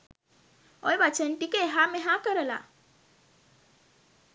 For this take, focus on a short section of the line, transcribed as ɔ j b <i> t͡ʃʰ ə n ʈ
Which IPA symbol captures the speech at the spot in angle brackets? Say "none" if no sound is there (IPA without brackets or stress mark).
a